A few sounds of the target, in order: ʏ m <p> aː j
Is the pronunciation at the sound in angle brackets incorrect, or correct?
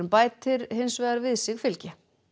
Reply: correct